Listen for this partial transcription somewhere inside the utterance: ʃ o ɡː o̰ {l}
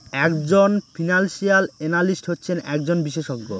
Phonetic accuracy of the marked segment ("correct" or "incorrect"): incorrect